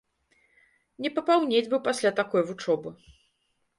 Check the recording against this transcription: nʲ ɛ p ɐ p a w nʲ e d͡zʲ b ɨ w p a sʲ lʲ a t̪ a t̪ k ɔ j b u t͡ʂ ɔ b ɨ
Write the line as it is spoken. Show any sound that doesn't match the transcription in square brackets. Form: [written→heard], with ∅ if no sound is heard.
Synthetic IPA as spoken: nʲ ɛ p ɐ p a w nʲ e d͡zʲ b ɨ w p a sʲ lʲ a t̪ a [t̪→∅] k ɔ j [b→v] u t͡ʂ ɔ b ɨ